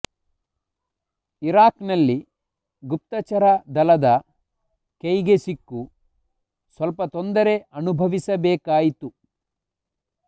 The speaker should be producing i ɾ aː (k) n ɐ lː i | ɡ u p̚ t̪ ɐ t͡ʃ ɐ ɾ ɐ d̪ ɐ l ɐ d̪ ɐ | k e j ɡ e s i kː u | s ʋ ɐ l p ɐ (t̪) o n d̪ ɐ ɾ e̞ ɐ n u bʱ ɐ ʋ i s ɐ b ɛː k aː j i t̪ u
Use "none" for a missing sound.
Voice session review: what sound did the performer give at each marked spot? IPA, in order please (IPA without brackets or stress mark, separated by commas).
k, t̪